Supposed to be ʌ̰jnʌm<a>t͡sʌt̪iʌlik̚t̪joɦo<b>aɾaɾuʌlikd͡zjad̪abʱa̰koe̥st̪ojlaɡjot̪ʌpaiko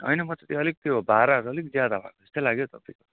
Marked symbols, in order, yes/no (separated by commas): no, yes